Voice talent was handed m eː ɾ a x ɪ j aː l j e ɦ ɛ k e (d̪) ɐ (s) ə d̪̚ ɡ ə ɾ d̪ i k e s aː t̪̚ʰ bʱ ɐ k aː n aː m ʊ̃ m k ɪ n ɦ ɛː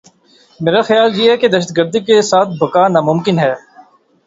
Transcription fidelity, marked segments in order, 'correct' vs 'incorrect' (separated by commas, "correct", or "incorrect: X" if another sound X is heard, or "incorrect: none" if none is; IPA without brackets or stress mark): correct, incorrect: ʃ